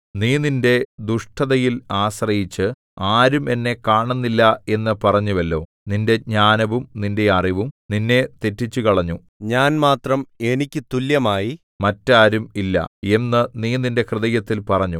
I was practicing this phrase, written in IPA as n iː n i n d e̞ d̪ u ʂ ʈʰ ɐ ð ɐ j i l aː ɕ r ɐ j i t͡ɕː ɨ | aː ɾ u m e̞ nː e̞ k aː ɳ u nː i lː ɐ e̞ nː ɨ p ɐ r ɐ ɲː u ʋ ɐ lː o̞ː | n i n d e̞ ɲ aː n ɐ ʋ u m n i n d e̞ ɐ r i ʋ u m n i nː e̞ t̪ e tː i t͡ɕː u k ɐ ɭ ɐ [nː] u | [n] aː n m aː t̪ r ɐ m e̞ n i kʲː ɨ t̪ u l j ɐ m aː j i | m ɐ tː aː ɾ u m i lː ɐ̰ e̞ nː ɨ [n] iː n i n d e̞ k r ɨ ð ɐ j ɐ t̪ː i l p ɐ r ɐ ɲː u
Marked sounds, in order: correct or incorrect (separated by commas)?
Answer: incorrect, incorrect, correct